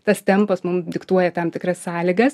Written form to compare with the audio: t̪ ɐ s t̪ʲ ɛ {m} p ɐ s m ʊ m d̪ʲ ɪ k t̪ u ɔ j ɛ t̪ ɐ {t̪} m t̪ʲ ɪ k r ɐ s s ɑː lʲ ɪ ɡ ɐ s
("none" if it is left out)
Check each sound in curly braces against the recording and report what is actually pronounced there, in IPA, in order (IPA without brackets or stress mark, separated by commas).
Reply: m, none